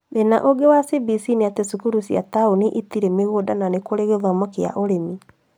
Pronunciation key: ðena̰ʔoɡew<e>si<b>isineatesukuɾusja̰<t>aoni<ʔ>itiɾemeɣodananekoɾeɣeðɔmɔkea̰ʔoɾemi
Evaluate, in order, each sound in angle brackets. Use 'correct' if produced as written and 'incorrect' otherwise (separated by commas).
incorrect, correct, correct, correct